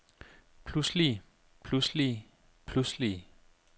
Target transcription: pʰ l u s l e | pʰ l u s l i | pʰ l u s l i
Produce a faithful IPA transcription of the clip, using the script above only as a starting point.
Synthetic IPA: pʰ l u s l i | pʰ l u s l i | pʰ l u s l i